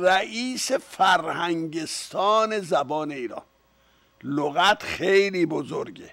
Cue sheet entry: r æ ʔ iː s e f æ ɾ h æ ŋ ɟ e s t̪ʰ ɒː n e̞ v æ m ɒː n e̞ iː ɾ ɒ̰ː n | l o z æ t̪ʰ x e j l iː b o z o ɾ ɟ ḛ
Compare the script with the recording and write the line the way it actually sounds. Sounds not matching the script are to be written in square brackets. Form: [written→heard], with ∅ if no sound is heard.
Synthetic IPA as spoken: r æ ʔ iː s e f æ ɾ h æ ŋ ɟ e s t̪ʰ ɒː n e̞ [v→z] æ [m→b] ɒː n e̞ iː ɾ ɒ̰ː n | l o [z→ɣ] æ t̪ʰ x e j l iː b o z o ɾ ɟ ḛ